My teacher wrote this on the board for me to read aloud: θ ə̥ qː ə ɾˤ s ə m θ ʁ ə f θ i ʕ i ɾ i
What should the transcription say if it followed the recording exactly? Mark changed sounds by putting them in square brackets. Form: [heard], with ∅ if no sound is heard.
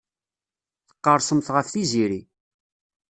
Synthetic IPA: θ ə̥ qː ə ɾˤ s ə m θ ʁ ə f θ i [z] i ɾ i